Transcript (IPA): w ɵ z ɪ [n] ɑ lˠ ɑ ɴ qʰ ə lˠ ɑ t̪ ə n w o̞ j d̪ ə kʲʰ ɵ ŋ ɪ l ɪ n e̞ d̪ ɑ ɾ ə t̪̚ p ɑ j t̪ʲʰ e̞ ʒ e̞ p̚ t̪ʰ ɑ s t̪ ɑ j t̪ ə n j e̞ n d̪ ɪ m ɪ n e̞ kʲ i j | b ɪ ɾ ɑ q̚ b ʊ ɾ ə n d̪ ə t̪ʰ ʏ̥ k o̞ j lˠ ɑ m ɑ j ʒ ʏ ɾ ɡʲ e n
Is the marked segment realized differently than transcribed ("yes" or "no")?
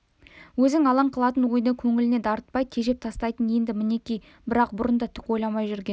yes